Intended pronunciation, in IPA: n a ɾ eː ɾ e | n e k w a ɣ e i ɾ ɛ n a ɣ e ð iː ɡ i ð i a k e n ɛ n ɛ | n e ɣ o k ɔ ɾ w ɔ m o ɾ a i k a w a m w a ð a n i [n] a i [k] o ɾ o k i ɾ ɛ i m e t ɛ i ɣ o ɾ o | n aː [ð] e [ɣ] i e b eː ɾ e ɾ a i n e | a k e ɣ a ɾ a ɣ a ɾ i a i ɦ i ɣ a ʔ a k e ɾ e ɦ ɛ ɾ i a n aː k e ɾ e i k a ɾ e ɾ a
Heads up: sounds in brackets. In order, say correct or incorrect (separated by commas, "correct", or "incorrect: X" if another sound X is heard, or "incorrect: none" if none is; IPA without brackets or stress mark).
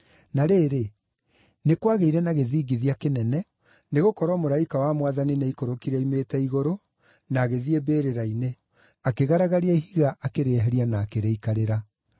correct, correct, incorrect: ɣ, incorrect: ð